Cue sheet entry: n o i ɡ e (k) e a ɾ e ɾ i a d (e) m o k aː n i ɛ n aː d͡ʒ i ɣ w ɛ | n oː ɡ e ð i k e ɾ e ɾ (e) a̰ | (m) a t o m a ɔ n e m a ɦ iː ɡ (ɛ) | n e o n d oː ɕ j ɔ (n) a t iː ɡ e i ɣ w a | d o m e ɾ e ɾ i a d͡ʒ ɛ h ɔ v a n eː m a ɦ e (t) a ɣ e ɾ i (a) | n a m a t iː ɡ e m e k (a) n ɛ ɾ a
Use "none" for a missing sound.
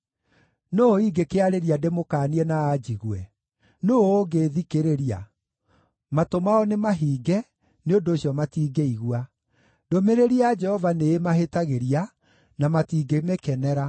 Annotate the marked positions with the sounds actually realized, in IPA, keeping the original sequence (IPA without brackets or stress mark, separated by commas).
k, e, i, m, ɛ, m, t, a, ɛ